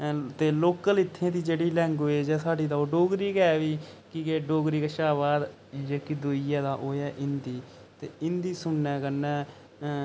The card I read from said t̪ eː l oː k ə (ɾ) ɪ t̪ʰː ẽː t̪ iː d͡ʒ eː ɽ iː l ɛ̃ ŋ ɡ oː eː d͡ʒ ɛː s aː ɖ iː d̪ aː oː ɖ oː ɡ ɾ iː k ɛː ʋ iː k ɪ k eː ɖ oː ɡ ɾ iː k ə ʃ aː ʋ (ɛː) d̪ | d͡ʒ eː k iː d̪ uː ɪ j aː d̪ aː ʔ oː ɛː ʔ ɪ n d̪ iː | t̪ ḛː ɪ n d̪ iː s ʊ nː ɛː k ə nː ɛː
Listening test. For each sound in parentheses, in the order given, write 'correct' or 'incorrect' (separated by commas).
incorrect, incorrect